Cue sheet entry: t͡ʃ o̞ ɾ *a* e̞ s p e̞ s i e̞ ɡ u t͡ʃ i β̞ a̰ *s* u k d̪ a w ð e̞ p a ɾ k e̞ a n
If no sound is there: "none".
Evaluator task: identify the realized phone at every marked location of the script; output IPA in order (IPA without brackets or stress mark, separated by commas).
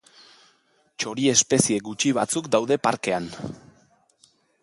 i, t͡s